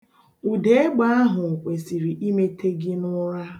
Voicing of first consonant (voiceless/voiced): voiced